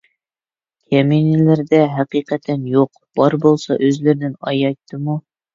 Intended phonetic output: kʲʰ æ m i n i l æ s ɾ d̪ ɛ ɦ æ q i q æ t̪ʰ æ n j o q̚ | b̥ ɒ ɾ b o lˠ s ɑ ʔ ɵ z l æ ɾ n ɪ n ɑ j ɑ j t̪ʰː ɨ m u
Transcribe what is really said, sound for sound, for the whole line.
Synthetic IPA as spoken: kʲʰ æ m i n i l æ ɾ d̪ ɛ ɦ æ q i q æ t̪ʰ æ n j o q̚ | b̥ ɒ ɾ b o lˠ s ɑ ʔ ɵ z l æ ɾ n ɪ n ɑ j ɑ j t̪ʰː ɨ m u